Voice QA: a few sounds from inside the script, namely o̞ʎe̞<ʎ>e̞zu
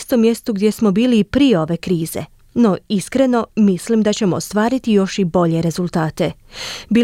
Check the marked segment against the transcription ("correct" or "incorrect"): incorrect